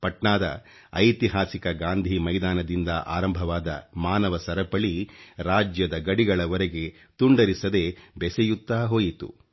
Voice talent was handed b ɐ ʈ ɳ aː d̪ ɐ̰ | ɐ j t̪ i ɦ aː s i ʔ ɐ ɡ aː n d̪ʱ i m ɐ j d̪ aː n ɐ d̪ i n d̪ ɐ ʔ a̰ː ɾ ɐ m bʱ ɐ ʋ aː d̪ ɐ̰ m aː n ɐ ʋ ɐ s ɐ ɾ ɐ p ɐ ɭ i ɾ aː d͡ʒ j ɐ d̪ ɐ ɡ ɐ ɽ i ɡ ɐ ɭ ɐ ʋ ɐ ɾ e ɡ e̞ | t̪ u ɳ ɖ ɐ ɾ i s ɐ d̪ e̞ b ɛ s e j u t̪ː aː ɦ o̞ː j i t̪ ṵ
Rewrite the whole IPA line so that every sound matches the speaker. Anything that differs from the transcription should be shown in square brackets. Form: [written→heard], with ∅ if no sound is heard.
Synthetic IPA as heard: [b→p] ɐ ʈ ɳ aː d̪ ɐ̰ | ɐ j t̪ i ɦ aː s i [ʔ→k] ɐ ɡ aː n d̪ʱ i m ɐ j d̪ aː n ɐ d̪ i n d̪ ɐ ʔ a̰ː ɾ ɐ m bʱ ɐ ʋ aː d̪ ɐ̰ m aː n ɐ ʋ ɐ s ɐ ɾ ɐ p ɐ ɭ i ɾ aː d͡ʒ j ɐ d̪ ɐ ɡ ɐ ɽ i ɡ ɐ ɭ ɐ ʋ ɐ ɾ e ɡ e̞ | t̪ u ɳ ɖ ɐ ɾ i s ɐ d̪ e̞ b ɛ s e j u t̪ː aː ɦ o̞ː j i t̪ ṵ